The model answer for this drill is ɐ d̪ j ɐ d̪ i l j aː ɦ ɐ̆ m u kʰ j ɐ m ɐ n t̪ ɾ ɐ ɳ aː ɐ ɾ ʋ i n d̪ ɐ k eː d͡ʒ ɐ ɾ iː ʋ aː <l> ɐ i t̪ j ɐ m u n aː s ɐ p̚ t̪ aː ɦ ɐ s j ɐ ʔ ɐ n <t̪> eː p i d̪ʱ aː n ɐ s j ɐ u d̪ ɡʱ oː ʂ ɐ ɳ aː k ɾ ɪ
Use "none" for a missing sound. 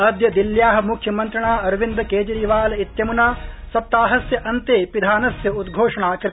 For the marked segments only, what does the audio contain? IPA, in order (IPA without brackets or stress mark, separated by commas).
l, t̪